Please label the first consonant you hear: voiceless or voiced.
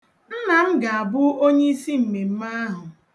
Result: voiced